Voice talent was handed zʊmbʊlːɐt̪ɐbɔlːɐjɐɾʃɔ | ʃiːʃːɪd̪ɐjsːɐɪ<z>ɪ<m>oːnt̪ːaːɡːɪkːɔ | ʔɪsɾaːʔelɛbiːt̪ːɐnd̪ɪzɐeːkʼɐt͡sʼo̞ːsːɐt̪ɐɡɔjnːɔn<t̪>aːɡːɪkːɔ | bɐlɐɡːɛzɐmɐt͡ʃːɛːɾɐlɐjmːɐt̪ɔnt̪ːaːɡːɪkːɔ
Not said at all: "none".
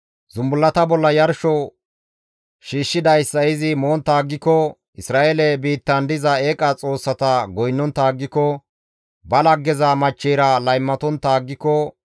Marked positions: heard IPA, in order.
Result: z, m, t̪

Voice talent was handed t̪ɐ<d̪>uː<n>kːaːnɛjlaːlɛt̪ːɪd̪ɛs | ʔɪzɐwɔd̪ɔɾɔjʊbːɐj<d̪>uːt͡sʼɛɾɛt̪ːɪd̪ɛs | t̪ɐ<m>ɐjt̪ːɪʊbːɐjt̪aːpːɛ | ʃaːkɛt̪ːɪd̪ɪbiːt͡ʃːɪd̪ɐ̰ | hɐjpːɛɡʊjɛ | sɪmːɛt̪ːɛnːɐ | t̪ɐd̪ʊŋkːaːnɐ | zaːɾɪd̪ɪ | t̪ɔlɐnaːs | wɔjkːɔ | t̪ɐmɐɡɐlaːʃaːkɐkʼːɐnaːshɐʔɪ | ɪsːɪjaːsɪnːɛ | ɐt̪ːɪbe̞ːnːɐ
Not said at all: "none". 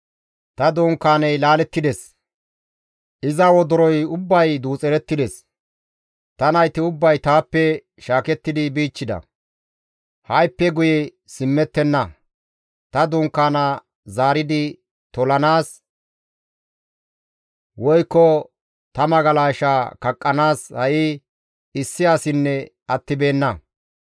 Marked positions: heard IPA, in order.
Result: d̪, ŋ, d̪, n

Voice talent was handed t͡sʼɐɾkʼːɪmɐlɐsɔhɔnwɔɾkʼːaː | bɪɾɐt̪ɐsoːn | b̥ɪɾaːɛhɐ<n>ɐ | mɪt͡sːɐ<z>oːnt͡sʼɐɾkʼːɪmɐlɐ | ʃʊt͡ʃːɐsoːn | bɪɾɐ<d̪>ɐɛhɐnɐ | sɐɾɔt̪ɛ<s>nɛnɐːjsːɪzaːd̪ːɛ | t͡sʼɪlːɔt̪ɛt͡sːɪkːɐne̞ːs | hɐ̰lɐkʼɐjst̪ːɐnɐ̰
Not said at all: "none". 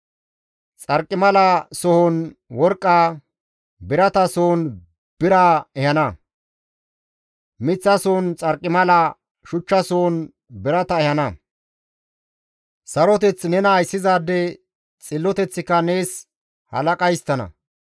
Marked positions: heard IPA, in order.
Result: n, s, t̪, t͡s

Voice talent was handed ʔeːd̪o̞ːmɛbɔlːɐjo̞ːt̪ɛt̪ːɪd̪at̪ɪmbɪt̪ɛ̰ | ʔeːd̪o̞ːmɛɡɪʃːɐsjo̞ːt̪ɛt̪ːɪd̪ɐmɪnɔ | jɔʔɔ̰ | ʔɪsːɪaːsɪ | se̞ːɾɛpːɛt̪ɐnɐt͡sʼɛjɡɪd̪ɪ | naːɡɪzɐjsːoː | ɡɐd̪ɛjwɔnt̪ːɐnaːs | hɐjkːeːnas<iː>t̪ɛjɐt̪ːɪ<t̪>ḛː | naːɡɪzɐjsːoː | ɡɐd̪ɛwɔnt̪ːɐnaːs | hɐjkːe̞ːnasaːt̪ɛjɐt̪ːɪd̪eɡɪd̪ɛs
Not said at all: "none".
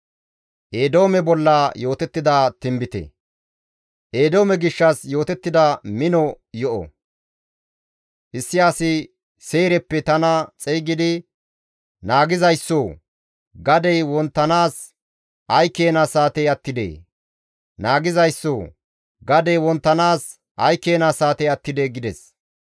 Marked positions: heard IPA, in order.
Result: aː, d̪

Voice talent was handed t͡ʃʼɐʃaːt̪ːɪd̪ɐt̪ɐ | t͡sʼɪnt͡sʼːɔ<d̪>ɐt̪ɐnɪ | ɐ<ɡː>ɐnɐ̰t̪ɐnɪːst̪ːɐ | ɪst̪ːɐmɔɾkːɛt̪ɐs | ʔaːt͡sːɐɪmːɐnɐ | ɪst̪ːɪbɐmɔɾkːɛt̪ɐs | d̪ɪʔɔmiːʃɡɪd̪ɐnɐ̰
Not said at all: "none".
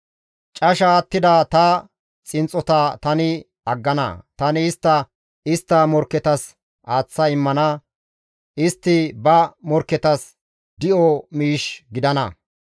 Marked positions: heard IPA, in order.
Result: t̪, ɡː

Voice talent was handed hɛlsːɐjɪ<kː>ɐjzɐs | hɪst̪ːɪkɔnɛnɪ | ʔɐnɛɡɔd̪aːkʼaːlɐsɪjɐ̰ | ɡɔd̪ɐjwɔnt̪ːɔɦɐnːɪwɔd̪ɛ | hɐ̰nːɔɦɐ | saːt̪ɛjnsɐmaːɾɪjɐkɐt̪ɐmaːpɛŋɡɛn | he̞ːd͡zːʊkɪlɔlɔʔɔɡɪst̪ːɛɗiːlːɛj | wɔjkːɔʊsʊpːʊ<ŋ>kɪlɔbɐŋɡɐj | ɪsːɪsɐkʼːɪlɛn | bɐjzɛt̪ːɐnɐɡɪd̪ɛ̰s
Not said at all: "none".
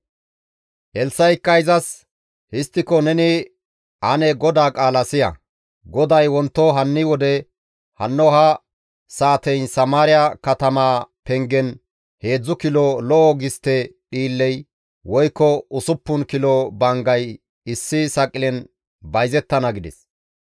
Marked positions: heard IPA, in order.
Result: kː, n

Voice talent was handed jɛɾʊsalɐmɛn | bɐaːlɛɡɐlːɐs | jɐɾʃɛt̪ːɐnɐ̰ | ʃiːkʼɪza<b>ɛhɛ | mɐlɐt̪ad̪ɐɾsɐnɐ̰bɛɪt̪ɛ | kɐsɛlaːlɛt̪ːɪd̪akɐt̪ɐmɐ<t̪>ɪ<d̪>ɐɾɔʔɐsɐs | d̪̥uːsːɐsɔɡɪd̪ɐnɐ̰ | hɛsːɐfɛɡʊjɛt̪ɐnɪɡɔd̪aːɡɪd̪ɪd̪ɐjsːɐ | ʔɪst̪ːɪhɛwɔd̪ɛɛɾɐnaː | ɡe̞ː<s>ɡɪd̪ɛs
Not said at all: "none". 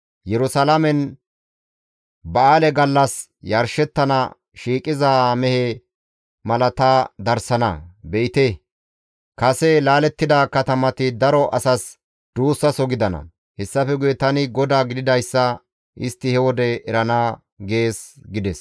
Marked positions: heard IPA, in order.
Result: m, t̪, d̪, s

